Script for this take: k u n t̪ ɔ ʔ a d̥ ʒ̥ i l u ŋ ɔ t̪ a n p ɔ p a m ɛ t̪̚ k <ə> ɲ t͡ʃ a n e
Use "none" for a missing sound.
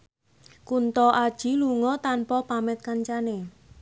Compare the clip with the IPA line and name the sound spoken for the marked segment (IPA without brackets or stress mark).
a